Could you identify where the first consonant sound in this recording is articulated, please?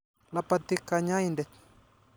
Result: alveolar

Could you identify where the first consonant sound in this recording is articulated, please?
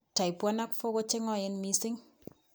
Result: alveolar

